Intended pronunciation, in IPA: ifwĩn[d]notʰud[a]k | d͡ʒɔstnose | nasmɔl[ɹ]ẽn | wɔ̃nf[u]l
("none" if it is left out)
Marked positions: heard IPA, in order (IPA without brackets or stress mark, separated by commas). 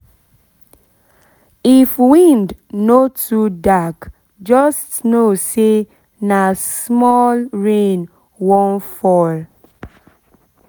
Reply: d, a, ɹ, ɔ